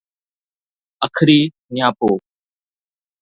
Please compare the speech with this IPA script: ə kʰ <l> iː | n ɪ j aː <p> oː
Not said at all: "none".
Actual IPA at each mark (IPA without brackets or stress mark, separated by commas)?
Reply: ɾ, p